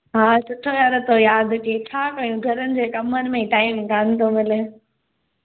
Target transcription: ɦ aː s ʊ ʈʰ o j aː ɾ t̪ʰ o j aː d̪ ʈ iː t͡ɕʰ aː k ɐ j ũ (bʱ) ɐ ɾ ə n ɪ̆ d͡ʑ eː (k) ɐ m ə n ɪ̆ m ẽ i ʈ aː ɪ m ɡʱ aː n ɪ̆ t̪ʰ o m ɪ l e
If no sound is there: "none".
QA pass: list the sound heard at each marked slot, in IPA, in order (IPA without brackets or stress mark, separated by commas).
ɡʱ, k